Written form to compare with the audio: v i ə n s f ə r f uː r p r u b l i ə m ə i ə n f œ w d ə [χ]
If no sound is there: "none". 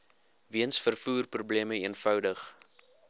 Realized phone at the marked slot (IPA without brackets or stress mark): χ